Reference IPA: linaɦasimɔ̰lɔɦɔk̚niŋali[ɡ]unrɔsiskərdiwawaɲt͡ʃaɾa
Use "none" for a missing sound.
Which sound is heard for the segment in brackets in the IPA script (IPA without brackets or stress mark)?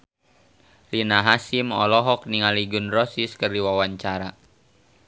ɡ